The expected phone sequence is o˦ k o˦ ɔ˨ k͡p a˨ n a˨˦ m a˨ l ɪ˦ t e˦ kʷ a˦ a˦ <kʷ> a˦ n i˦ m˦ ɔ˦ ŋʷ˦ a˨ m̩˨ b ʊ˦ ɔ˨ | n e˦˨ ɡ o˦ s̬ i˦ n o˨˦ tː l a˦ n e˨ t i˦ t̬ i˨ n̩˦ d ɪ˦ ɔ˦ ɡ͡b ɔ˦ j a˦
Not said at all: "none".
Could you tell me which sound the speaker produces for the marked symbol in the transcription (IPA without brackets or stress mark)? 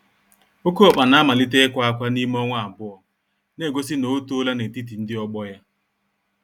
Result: kʷ